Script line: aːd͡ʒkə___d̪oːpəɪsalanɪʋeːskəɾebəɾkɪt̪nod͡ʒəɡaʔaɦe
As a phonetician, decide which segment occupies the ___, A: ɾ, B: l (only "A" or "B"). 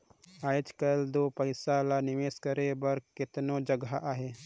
B